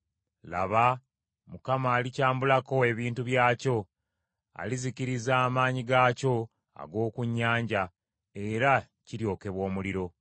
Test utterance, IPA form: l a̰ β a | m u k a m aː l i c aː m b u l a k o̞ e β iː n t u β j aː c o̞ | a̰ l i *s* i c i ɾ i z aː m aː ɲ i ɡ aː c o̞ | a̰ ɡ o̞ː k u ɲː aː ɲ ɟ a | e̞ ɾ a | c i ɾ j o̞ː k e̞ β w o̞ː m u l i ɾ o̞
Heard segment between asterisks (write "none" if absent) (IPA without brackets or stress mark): z